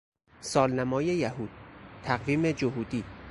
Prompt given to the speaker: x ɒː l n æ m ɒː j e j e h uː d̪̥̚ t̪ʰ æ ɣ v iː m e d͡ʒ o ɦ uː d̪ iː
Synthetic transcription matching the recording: s ɒː l n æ m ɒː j e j æ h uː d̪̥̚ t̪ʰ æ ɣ v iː m e d͡ʒ o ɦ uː d̪ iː